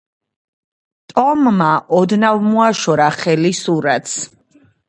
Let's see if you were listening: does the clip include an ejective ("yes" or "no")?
yes